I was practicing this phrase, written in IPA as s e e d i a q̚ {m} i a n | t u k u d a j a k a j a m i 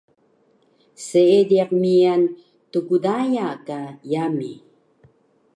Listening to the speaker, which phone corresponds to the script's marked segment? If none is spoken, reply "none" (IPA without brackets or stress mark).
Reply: m